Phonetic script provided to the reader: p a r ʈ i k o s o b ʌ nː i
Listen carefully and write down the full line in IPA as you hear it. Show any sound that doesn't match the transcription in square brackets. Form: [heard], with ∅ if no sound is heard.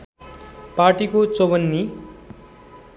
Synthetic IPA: p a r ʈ i k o [t͡s] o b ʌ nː i